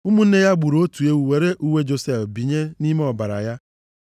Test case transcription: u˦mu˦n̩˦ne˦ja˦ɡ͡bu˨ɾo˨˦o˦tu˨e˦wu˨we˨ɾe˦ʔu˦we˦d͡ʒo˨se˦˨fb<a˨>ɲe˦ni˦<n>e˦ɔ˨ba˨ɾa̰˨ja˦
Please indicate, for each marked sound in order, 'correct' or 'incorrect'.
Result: incorrect: i˨, incorrect: m

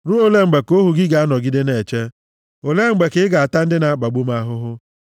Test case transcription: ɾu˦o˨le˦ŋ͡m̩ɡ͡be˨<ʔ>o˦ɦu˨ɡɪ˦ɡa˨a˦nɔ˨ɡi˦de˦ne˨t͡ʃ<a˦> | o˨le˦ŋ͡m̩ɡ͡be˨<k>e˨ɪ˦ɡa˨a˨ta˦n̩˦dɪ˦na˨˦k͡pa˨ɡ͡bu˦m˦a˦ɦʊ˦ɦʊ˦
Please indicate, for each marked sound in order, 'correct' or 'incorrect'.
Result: incorrect: k, incorrect: e˦, correct

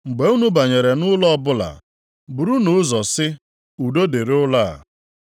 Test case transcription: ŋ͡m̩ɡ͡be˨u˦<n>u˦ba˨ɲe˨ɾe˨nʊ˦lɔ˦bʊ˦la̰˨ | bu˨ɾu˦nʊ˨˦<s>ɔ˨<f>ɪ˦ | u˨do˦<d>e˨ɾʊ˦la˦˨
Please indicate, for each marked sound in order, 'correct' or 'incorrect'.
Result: correct, incorrect: z, incorrect: s, correct

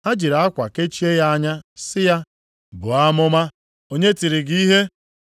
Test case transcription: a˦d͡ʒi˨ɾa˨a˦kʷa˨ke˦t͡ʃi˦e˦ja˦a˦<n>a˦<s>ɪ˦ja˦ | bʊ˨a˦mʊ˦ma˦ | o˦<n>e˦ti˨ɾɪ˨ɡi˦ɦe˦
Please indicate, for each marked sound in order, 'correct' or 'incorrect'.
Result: incorrect: ɲ, correct, incorrect: ɲ

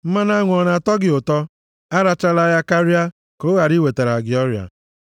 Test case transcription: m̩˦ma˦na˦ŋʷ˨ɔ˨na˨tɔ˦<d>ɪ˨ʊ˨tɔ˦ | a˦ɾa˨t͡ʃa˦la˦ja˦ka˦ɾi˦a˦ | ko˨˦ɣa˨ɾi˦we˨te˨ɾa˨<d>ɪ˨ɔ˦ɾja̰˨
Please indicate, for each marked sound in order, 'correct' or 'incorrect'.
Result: incorrect: ɡ, incorrect: ɡ

